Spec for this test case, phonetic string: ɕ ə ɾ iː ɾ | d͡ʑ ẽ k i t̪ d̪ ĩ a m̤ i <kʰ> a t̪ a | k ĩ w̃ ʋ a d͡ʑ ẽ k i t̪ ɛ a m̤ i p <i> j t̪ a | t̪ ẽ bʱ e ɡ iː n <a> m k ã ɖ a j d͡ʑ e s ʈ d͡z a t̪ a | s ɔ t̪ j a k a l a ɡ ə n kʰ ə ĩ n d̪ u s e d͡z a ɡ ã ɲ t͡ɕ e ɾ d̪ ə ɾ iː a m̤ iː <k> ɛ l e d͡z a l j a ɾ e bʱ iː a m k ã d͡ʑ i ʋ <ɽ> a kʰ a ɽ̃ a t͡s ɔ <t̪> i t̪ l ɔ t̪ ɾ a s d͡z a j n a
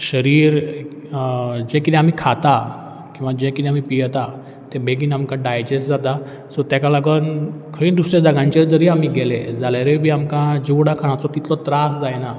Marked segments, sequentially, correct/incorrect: correct, correct, correct, incorrect: ɡ, correct, correct

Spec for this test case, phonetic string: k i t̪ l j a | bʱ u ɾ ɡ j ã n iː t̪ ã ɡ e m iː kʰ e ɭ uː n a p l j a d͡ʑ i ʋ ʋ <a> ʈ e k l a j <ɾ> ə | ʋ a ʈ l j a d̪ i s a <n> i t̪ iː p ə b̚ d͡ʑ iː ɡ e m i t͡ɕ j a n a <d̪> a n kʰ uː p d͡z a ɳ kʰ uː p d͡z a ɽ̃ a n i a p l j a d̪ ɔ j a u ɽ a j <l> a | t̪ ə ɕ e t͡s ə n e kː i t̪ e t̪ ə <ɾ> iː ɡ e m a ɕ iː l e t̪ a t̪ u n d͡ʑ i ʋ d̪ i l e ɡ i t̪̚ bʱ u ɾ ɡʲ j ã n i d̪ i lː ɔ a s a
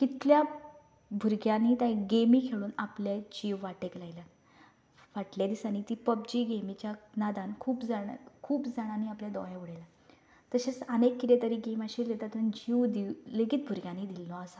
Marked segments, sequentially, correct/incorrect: correct, incorrect: l, correct, correct, correct, correct

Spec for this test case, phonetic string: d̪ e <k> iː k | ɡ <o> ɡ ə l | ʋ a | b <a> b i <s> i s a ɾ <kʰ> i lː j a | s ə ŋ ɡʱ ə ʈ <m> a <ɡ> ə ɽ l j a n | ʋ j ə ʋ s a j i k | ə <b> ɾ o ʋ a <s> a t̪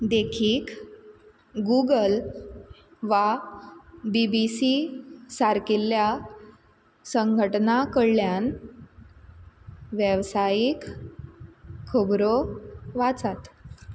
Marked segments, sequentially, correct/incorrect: incorrect: kʰ, incorrect: u, incorrect: i, correct, incorrect: k, incorrect: n, incorrect: k, correct, incorrect: t͡s

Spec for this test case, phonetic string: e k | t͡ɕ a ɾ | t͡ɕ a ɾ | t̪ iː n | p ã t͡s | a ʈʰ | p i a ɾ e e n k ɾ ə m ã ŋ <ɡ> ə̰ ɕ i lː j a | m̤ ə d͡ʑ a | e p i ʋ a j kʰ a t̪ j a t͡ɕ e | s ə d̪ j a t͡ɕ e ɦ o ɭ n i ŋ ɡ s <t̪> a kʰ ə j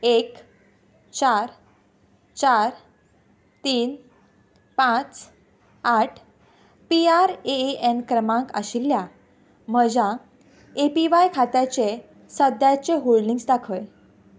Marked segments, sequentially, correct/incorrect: incorrect: k, incorrect: d̪

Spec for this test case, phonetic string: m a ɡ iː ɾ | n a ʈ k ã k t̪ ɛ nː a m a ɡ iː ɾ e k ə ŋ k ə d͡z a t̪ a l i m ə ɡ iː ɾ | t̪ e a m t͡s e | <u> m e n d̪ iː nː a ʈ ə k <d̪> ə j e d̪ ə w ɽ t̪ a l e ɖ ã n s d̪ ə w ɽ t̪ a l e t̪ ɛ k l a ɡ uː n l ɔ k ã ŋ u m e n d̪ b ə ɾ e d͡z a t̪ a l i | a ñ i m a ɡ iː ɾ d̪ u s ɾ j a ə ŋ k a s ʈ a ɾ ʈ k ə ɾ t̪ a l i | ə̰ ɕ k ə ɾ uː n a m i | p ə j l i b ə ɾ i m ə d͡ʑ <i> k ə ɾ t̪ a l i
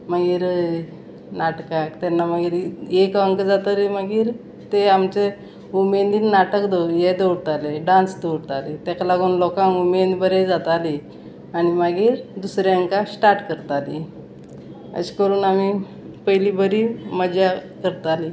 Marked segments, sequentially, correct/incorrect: correct, correct, incorrect: a

